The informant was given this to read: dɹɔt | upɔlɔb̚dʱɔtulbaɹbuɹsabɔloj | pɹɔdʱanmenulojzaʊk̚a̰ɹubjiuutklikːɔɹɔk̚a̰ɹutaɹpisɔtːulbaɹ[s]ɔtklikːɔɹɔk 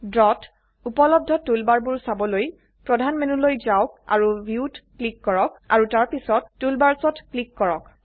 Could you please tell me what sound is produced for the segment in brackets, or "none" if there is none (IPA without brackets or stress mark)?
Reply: s